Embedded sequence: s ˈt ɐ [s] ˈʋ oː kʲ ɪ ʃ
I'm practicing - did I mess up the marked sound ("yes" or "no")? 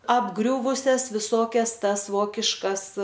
no